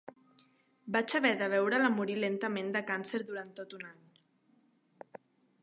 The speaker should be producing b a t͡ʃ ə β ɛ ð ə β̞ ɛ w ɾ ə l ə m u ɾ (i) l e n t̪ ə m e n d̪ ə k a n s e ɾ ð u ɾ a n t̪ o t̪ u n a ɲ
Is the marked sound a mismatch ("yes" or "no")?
no